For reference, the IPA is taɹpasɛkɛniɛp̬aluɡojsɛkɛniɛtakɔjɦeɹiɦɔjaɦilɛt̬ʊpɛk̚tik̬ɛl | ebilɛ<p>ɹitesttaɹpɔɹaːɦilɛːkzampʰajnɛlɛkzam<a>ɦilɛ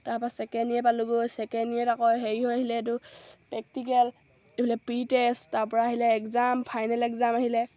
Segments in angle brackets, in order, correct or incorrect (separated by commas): correct, correct